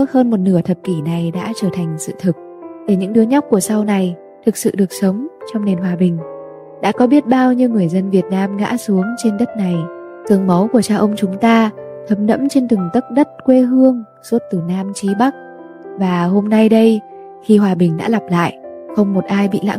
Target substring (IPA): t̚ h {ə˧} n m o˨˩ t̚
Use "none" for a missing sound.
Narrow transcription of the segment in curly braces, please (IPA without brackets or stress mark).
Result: əː˧